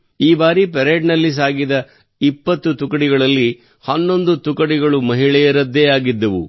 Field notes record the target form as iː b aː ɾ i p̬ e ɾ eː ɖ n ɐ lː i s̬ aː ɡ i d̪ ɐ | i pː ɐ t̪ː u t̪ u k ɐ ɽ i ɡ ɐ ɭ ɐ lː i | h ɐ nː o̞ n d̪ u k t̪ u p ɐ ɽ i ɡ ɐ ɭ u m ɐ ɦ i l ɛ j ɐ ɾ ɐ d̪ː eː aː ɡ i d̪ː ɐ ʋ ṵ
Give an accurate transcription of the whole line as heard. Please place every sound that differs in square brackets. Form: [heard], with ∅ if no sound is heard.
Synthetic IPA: iː b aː ɾ i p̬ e ɾ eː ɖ n ɐ lː i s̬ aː ɡ i d̪ ɐ | i pː ɐ t̪ː u t̪ u k ɐ ɽ i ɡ ɐ ɭ ɐ lː i | h ɐ nː o̞ n d̪ u [∅] t̪ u [k] ɐ ɽ i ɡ ɐ ɭ u m ɐ ɦ i [ɭ] ɛ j ɐ ɾ ɐ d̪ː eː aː ɡ i d̪ː ɐ ʋ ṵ